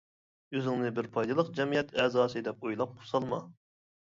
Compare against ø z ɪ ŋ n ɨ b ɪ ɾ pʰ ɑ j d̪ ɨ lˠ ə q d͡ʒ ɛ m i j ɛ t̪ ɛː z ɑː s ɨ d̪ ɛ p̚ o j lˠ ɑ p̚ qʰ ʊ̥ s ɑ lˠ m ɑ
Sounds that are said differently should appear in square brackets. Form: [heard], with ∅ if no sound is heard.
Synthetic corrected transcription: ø z ɪ ŋ n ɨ b ɪ ɾ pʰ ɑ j d̪ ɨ lˠ ə q d͡ʒ ɛ m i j ɛ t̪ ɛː z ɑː s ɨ d̪ ɛ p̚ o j lˠ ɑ p̚ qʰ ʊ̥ s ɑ lˠ m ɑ